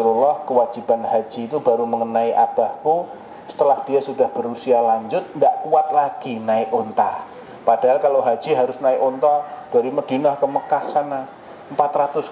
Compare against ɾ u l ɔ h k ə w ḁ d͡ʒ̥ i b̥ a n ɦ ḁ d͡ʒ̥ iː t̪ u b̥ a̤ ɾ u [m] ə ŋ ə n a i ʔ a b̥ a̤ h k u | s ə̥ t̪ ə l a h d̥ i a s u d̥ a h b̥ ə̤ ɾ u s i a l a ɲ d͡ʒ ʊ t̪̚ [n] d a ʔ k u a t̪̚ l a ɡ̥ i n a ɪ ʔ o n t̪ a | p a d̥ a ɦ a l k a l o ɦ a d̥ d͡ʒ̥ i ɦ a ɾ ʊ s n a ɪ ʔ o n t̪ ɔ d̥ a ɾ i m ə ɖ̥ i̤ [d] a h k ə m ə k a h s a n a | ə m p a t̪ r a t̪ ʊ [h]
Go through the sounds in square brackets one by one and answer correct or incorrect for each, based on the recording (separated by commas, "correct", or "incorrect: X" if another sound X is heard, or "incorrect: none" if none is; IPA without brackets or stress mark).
correct, correct, incorrect: n, incorrect: s